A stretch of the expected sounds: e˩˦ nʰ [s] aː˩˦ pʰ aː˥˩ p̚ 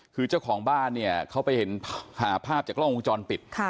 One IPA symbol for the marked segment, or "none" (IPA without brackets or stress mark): h